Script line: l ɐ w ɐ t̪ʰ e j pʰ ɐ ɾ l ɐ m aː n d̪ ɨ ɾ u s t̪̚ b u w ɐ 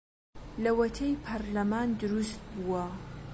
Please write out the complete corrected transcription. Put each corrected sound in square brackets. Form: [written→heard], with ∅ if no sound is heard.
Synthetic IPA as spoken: l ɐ w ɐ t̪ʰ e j pʰ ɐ ɾ l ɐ m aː n d̪ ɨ ɾ u s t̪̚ b u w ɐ